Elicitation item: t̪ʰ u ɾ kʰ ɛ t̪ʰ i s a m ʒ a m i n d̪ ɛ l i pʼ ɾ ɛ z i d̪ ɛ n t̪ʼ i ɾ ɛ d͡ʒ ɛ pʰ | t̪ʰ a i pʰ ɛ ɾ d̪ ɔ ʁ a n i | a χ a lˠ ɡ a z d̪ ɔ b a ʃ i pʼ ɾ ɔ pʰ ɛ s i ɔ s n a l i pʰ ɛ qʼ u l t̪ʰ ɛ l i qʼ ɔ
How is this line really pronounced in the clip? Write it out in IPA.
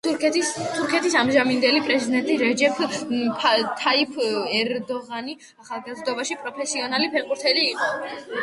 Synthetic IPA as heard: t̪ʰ u ɾ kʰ ɛ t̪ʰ i s a m ʒ a m i n d̪ ɛ l i pʼ ɾ ɛ z i d̪ ɛ n t̪ʼ i ɾ ɛ d͡ʒ ɛ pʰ | t̪ʰ a i pʰ ɛ ɾ d̪ ɔ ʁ a n i | a χ a lˠ ɡ a z d̪ ɔ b a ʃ i pʼ ɾ ɔ pʰ ɛ s i ɔ n a l i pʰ ɛ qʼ u ɾ t̪ʰ ɛ l iː qʼ ɔ